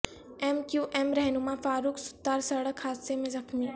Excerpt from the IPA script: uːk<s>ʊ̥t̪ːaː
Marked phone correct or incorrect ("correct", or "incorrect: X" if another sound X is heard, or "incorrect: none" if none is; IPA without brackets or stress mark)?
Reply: correct